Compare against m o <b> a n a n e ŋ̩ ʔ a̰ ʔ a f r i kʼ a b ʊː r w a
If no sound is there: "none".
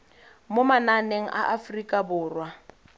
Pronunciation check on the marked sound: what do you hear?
m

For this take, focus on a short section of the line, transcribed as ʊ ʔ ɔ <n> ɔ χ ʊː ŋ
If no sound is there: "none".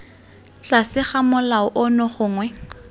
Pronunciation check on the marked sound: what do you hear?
n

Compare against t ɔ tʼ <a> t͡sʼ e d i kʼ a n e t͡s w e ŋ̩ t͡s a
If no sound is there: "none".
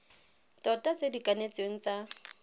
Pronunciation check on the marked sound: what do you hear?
a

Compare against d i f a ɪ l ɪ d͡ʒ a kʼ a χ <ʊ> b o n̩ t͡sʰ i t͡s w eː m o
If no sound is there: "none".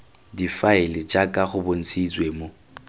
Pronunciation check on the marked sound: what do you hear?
ʊ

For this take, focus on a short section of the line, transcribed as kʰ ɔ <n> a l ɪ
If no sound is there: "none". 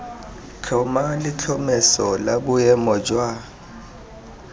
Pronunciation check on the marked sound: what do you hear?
m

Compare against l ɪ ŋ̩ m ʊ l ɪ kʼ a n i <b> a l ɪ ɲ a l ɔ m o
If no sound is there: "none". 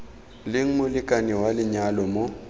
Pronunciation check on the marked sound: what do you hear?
w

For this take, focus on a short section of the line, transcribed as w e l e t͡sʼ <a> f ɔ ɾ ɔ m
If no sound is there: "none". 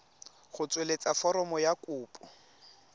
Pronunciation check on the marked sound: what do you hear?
a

